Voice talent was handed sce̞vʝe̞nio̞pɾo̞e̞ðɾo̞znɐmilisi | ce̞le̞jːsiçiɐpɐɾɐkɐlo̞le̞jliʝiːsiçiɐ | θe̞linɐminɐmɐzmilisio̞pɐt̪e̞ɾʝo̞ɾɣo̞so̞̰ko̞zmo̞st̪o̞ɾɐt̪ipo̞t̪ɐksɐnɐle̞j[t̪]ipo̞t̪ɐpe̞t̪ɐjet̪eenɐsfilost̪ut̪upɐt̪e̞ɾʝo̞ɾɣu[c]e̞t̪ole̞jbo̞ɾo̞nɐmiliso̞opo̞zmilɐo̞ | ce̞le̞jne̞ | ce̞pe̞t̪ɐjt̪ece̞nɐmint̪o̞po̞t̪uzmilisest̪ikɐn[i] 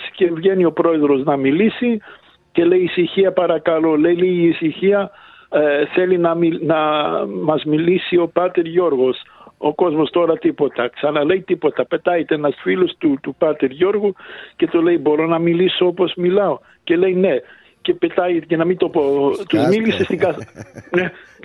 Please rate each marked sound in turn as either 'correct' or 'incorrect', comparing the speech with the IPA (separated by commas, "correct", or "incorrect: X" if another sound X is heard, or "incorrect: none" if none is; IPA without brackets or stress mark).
correct, correct, incorrect: e